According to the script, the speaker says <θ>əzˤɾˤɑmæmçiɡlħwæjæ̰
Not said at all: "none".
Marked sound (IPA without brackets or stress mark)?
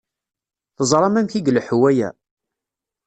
θ